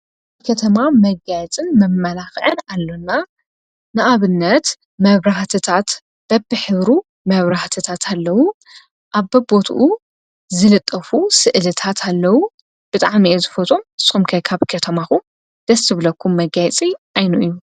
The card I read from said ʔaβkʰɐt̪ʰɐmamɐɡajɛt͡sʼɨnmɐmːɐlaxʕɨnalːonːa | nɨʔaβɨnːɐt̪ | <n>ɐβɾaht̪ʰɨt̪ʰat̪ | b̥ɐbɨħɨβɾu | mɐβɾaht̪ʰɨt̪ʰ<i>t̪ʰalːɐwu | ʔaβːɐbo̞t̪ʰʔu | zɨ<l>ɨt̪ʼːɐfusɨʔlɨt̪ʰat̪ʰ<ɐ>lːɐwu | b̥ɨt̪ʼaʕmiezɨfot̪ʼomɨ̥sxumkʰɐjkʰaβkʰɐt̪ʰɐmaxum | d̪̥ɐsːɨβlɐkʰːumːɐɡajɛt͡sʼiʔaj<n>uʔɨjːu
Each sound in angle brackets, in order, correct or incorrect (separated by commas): incorrect, incorrect, correct, incorrect, correct